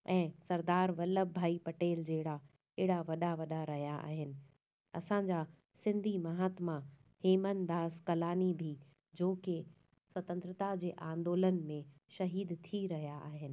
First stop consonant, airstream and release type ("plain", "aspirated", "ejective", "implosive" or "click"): plain